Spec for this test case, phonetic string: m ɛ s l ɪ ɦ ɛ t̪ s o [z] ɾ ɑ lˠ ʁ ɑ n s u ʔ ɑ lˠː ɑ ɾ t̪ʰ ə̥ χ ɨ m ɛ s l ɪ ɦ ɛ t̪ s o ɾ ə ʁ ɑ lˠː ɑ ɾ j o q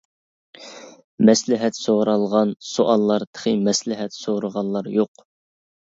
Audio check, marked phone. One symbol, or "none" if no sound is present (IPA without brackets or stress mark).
ʁ